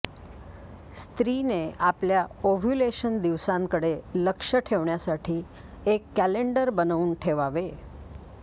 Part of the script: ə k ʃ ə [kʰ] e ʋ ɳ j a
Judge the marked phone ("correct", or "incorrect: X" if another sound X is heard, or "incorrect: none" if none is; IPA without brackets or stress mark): incorrect: ʈʰ